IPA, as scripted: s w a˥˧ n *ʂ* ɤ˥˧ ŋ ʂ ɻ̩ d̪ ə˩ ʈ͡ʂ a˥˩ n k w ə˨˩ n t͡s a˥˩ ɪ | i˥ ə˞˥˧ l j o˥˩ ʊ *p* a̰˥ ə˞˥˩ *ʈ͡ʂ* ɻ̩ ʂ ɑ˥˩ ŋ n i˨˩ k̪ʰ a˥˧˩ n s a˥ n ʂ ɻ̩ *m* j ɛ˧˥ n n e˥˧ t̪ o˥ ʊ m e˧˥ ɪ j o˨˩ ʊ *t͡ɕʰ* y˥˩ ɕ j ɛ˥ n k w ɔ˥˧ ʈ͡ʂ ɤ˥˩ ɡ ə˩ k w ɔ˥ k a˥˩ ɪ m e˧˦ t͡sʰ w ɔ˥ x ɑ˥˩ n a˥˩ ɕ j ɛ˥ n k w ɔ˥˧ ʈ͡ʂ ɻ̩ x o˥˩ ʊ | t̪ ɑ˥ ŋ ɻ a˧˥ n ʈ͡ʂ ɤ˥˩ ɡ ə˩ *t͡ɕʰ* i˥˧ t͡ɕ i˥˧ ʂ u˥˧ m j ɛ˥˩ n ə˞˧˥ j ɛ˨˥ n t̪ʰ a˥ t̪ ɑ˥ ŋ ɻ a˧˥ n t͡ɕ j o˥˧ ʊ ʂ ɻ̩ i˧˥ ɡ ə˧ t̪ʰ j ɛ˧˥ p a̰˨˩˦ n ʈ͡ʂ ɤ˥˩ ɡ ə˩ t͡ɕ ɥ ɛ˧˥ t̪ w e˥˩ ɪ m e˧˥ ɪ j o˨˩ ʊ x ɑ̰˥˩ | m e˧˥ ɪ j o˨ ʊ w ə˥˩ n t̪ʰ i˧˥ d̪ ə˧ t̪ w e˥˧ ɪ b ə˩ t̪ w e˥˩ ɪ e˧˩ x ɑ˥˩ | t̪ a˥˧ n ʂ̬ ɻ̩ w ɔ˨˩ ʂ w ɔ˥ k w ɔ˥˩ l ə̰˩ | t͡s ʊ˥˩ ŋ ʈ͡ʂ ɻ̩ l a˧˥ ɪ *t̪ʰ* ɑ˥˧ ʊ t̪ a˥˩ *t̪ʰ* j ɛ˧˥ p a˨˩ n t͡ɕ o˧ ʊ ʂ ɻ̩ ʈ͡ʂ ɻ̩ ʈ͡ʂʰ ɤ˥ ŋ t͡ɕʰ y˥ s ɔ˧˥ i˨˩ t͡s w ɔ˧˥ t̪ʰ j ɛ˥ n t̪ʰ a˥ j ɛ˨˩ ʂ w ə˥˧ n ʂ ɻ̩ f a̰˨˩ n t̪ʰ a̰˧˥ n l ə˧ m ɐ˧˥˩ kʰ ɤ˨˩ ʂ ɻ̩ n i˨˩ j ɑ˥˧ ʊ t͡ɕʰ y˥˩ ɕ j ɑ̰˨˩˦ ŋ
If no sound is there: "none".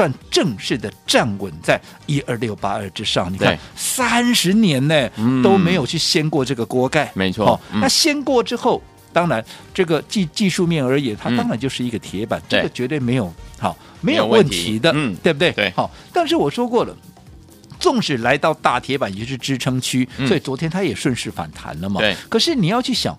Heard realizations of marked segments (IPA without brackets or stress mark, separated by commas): ʈ͡ʂ, p, ʈ͡ʂ, n, t͡ɕʰ, t͡ɕ, t̪, t̪ʰ